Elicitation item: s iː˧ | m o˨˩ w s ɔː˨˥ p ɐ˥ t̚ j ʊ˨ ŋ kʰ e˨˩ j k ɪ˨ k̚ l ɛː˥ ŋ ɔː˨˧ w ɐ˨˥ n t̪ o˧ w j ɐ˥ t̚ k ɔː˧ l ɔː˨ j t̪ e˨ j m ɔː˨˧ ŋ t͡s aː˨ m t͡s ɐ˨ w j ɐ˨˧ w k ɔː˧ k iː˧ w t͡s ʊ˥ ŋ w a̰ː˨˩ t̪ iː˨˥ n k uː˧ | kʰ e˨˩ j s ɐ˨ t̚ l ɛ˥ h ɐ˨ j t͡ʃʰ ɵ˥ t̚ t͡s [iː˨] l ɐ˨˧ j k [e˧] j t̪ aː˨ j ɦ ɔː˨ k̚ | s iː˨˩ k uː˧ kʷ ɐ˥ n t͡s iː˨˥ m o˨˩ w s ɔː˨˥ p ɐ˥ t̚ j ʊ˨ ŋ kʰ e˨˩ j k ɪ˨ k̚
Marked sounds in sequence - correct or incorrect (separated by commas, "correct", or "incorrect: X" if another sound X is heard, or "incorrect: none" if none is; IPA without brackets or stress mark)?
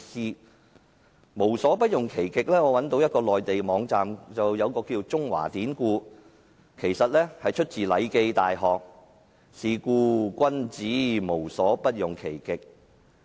correct, correct